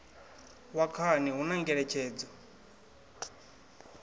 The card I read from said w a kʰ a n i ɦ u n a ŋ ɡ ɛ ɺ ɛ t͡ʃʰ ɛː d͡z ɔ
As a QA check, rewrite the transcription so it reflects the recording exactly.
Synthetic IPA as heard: w a kʰ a n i ɦ u n a ŋ ɡ ɛ ɺ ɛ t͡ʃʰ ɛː d͡z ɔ